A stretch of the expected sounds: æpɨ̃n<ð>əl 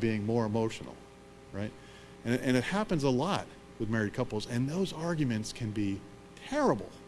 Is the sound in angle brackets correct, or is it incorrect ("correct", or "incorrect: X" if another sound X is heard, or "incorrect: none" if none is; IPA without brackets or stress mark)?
incorrect: z